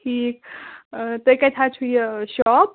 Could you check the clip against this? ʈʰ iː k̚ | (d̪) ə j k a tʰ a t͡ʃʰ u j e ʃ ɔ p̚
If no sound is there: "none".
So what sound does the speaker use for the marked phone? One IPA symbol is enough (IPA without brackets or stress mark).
t̪